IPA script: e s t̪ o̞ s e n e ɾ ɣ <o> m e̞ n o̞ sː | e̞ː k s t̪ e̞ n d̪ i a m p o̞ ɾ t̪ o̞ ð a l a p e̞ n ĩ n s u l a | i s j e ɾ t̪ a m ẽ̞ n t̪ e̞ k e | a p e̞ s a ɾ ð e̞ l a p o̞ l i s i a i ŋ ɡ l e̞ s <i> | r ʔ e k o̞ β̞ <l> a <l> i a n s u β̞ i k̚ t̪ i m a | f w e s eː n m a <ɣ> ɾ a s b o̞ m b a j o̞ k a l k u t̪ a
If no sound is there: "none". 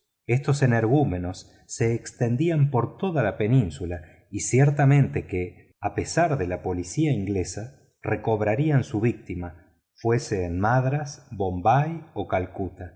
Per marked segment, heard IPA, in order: u, a, ɾ, ɾ, ð

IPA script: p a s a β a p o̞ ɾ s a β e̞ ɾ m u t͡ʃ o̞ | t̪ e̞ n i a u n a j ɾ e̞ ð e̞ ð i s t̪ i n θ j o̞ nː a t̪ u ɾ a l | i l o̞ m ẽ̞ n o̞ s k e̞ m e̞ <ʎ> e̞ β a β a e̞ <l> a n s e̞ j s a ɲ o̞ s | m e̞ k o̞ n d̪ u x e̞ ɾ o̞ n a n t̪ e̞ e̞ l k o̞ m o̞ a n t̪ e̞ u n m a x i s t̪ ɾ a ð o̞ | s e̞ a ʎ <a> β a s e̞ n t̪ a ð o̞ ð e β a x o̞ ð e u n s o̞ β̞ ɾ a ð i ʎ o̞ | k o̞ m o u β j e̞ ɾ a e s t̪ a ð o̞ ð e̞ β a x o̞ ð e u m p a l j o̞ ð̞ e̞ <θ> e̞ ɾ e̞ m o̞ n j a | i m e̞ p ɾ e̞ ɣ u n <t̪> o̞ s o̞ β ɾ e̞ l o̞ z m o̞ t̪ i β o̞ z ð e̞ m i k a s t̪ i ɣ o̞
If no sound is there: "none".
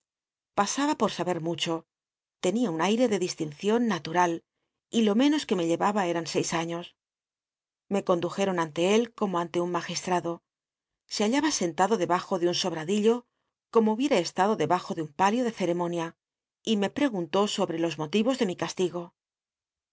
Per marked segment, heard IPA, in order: ʎ, ɾ, a, θ, t̪

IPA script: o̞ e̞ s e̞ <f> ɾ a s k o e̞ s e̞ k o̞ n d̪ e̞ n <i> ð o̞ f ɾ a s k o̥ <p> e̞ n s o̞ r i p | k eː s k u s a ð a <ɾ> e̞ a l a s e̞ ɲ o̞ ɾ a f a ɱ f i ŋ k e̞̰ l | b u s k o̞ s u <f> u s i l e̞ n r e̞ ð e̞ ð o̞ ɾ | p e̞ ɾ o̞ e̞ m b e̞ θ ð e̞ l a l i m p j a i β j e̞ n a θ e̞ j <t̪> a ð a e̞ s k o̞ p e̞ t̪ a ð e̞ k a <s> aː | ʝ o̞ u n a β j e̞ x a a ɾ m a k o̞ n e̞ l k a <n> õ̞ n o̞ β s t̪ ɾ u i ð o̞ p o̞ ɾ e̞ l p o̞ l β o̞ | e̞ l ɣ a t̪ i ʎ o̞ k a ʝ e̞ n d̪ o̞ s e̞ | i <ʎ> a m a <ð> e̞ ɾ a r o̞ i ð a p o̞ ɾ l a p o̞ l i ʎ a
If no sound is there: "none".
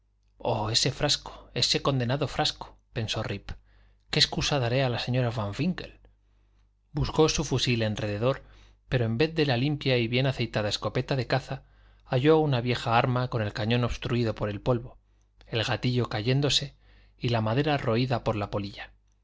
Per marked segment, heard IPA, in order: f, a, p, ɾ, f, t̪, θ, ɲ, l, ð

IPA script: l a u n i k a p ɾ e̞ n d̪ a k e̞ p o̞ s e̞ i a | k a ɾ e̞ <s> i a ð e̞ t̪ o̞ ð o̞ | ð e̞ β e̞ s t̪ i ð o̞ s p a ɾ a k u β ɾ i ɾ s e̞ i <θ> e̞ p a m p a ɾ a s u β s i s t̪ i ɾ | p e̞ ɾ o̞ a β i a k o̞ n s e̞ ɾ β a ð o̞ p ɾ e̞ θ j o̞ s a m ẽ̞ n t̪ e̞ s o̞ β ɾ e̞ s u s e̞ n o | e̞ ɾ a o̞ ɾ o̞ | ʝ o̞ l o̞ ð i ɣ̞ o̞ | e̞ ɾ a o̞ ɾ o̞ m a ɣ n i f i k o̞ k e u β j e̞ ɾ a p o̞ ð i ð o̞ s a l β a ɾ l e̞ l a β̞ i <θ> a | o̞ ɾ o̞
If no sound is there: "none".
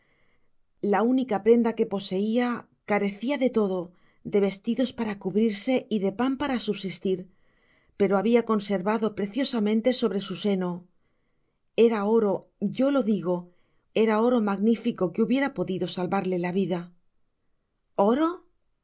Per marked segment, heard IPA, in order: θ, ð, ð

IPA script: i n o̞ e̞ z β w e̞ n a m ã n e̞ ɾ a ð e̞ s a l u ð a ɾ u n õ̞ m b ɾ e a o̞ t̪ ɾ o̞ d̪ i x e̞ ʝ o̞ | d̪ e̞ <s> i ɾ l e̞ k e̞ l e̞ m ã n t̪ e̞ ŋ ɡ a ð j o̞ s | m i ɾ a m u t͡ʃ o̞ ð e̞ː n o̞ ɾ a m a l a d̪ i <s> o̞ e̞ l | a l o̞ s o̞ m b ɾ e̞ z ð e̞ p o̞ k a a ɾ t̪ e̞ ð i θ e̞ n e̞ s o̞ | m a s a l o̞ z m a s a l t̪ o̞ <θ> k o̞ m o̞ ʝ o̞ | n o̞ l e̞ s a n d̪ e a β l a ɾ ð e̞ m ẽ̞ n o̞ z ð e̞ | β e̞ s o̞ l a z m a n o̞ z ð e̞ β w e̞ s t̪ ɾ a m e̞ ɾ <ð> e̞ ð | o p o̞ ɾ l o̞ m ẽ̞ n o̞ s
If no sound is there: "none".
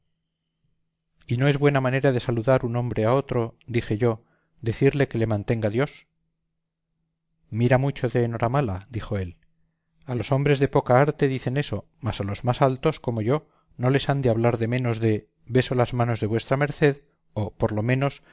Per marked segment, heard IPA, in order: θ, x, s, θ

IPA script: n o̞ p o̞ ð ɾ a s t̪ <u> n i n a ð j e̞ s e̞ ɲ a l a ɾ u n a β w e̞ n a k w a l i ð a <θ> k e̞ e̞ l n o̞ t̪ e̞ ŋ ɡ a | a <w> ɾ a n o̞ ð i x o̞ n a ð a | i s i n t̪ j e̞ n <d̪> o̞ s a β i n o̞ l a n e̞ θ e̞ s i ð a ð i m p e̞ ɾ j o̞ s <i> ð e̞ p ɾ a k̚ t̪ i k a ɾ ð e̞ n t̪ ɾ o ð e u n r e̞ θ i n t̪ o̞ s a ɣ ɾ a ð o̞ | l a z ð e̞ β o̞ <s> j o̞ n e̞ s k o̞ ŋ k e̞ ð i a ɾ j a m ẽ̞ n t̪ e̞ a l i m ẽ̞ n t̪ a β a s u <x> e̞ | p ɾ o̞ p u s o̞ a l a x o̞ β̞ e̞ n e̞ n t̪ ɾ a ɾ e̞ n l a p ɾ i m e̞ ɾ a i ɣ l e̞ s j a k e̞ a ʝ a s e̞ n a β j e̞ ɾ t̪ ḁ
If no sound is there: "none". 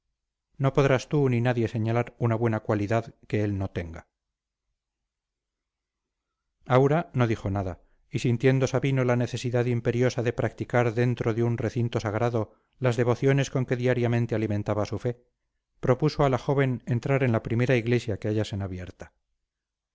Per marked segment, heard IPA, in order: u, ð, w, d̪, a, θ, f

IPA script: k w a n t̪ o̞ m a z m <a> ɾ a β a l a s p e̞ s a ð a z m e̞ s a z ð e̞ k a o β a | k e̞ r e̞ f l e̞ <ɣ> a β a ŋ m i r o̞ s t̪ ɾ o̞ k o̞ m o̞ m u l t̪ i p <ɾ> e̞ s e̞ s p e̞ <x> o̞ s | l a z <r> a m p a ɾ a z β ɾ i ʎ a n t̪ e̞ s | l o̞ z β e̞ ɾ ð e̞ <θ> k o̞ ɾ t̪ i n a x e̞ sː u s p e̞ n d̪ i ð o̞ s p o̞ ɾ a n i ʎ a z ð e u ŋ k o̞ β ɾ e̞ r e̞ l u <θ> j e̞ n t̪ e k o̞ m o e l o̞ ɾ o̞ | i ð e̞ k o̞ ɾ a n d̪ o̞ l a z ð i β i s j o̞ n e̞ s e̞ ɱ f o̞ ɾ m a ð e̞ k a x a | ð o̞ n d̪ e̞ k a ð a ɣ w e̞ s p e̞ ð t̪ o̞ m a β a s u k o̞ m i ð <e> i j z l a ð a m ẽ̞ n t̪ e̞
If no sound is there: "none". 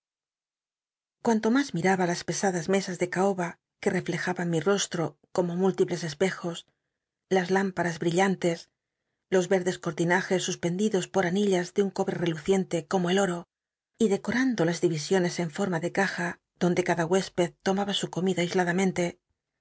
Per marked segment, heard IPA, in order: i, x, l, x, l, s, θ, a

